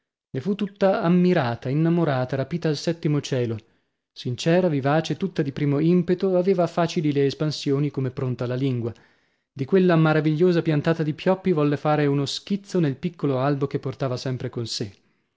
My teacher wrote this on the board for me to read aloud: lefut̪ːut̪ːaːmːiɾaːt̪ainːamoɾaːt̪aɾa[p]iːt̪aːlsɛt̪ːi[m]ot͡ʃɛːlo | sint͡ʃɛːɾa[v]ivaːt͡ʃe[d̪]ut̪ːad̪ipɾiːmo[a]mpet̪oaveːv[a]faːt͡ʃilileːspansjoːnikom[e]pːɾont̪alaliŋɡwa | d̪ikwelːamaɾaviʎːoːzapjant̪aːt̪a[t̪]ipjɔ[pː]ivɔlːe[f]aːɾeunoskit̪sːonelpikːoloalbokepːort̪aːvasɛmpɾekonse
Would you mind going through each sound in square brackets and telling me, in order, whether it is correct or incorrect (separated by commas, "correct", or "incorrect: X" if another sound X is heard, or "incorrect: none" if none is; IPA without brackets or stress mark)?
correct, correct, correct, incorrect: t̪, incorrect: i, correct, correct, incorrect: d̪, correct, correct